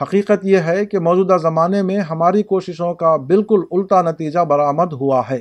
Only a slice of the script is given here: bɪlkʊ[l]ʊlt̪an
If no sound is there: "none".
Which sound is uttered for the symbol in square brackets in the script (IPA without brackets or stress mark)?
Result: l